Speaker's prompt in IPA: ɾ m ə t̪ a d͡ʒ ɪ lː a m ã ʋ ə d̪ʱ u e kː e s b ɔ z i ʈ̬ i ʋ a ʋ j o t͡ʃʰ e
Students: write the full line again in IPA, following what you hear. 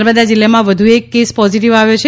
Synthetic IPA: ɾ b ə d̪ a d͡ʒ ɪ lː a m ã ʋ ə d̪ʱ u e kː e s p ɔ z i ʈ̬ i ʋ a ʋ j o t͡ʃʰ e